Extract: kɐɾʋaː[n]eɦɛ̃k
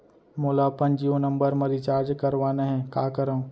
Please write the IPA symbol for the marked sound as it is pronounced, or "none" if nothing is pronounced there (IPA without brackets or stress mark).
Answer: n